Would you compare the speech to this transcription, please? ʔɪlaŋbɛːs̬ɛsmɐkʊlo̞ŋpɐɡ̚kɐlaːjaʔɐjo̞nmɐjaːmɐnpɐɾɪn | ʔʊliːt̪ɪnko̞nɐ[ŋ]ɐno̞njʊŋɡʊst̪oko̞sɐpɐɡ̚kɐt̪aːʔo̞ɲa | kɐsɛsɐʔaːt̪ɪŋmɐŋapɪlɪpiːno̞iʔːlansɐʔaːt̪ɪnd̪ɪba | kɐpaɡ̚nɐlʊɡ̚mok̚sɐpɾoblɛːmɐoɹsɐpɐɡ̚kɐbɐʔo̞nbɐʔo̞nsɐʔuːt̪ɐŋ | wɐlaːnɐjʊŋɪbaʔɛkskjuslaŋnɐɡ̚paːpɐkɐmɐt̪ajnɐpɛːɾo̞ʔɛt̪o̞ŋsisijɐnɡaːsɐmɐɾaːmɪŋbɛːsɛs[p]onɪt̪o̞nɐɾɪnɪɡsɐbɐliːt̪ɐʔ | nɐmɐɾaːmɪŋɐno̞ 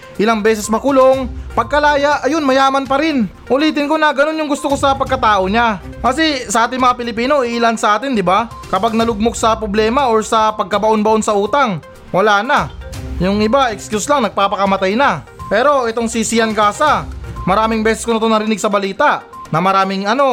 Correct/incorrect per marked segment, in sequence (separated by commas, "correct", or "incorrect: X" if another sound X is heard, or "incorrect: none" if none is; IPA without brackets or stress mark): incorrect: ɡ, incorrect: k